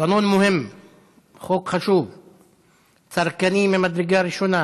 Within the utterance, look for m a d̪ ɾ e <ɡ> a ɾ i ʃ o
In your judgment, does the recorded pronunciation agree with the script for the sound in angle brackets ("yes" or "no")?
yes